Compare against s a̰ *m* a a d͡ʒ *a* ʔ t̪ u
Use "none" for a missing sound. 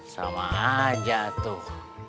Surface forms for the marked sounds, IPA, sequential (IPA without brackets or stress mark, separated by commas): m, a